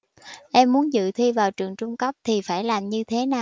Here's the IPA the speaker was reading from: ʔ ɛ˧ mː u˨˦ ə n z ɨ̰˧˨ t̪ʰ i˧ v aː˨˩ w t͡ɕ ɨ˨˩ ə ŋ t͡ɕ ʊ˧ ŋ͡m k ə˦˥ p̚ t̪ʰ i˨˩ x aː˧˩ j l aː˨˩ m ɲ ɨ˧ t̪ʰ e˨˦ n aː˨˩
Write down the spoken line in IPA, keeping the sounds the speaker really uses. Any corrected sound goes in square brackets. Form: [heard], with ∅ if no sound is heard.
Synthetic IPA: ʔ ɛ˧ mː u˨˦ ə n z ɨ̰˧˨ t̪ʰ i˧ v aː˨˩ w t͡ɕ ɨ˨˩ ə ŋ t͡ɕ ʊ˧ ŋ͡m k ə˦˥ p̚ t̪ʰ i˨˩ [f] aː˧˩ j l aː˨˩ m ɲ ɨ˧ t̪ʰ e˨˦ n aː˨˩